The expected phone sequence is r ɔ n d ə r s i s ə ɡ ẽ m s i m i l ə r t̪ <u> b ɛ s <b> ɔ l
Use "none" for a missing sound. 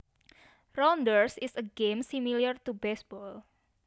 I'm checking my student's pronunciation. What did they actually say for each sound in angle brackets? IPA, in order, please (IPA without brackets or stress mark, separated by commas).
u, b